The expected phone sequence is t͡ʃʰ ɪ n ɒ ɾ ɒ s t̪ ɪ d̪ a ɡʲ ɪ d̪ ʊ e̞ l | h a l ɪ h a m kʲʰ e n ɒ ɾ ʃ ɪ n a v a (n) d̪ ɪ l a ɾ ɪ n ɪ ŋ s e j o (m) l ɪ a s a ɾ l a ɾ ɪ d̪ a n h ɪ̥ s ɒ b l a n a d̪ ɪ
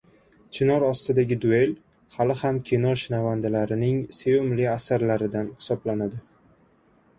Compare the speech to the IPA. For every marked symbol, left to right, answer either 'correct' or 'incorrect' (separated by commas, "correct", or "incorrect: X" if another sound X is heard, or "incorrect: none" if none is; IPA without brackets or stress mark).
correct, correct